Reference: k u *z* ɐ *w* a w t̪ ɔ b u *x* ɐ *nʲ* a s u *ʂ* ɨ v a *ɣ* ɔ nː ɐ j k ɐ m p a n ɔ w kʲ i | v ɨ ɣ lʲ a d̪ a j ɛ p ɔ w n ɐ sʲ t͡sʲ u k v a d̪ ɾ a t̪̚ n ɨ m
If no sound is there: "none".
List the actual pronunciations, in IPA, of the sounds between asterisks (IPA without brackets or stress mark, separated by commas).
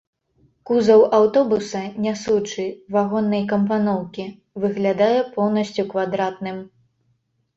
z, w, s, nʲ, t͡ʂ, ɣ